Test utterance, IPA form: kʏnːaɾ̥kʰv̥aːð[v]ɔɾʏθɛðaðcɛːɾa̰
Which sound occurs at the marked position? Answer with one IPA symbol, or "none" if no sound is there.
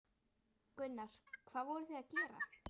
v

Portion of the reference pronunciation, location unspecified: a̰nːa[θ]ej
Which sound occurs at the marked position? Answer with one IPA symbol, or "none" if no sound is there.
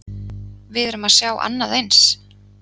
ð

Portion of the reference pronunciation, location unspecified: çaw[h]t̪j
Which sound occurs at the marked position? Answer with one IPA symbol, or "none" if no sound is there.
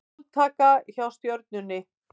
s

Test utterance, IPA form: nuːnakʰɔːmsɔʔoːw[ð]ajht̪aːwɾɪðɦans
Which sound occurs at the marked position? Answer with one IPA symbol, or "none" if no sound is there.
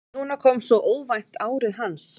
v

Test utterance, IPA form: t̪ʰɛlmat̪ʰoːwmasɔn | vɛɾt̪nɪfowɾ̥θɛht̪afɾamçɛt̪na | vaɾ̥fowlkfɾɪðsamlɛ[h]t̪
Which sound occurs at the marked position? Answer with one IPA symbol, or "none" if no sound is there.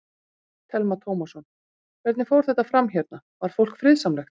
x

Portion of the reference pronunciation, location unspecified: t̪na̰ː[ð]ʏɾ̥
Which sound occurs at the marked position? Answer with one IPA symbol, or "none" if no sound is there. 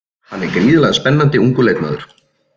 ð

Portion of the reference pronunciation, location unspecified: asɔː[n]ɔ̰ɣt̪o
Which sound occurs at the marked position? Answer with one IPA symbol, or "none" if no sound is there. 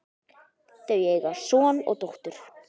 n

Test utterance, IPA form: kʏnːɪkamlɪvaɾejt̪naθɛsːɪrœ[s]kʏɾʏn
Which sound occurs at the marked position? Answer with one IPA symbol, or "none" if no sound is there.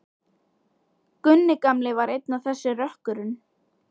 h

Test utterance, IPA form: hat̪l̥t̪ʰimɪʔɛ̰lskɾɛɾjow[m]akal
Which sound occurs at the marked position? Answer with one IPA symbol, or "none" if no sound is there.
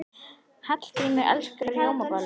m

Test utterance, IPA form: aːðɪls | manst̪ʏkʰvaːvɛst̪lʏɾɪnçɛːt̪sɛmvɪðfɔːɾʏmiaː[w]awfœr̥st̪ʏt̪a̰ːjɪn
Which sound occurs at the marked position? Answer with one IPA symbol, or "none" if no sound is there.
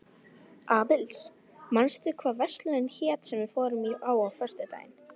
w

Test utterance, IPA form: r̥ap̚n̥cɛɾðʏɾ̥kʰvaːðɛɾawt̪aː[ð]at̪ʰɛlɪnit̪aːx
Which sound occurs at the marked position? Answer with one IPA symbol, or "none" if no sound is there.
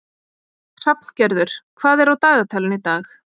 ɣ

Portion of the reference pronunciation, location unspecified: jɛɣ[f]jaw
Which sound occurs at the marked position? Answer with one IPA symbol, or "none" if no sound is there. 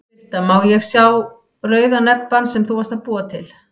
s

